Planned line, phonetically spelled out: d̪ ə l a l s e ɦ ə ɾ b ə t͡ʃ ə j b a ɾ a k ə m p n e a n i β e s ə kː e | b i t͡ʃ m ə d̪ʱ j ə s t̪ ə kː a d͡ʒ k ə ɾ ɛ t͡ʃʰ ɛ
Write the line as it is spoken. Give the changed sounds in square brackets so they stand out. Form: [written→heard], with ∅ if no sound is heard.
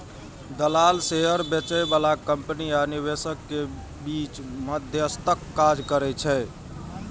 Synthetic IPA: d̪ ə l a l s e ɦ ə ɾ b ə t͡ʃ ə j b a [ɾ→l] a k ə m p n [e→i] a n i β e s ə kː e | b i t͡ʃ m ə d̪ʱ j ə s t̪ ə kː a d͡ʒ k ə ɾ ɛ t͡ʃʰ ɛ

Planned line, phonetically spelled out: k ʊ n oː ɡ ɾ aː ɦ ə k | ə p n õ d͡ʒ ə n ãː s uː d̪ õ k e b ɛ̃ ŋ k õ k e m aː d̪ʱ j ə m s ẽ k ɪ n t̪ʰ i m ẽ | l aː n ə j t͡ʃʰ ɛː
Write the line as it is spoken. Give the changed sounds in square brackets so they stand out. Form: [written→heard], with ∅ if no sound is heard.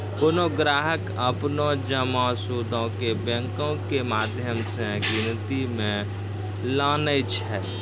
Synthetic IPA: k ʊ n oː ɡ ɾ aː ɦ ə k | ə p n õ d͡ʒ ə [n→m] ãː s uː d̪ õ k e b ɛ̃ ŋ k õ k e m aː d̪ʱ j ə m s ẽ [k→ɡ] ɪ n [t̪ʰ→t̪] i m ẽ | l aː n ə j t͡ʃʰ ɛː

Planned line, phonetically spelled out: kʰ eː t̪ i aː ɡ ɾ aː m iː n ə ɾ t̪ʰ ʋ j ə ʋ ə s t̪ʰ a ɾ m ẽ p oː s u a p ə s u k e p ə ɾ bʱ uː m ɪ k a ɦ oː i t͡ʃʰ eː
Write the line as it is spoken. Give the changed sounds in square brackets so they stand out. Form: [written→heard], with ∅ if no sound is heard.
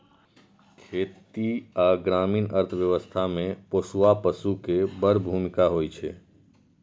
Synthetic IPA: kʰ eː t̪ i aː ɡ ɾ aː m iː n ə ɾ t̪ʰ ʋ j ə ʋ ə s t̪ʰ a [ɾ→∅] m ẽ p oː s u a p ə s u k e [p→b] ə ɾ bʱ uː m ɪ k a ɦ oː i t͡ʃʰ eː

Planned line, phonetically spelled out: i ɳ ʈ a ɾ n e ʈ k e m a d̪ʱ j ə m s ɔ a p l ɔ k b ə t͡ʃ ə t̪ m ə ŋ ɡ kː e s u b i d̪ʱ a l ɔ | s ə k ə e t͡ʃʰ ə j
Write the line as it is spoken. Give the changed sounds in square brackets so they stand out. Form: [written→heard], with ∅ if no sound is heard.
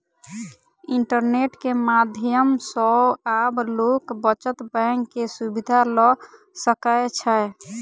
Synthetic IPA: i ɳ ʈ [a→ə] ɾ n e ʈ k e m a d̪ʱ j ə m s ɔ a [p→b] l [ɔ→o] k b ə t͡ʃ ə t̪ [m→b] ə ŋ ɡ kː e s u b i d̪ʱ a l ɔ | s ə k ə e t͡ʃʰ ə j

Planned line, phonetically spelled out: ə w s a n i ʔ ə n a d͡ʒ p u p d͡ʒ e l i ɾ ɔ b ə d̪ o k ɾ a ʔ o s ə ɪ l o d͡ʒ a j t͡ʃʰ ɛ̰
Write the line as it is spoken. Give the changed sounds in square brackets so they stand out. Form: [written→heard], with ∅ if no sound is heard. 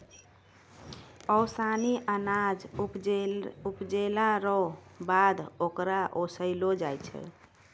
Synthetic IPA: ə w s a n i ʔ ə n a d͡ʒ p u p d͡ʒ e l [i→a] ɾ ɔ b [ə→a] d̪ o k ɾ a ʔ o s ə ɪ l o d͡ʒ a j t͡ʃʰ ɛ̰

